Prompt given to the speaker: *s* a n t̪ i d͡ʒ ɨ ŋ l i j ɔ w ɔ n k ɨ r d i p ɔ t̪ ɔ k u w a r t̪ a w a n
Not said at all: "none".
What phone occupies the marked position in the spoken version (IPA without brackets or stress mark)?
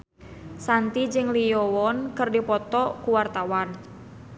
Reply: s